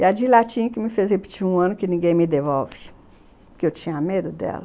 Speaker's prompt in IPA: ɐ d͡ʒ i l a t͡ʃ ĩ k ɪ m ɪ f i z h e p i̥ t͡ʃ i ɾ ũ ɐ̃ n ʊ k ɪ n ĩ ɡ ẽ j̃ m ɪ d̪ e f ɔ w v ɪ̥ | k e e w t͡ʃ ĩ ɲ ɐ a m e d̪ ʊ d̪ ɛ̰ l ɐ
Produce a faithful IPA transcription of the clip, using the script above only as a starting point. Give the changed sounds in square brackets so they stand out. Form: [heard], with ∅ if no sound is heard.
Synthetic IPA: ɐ d͡ʒ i l a t͡ʃ ĩ k ɪ m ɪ f [e] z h e p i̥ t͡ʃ i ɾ ũ ɐ̃ n ʊ k ɪ n ĩ ɡ ẽ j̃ m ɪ d̪ e [v] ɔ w v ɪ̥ | k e e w t͡ʃ ĩ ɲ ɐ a m e d̪ ʊ d̪ ɛ̰ l ɐ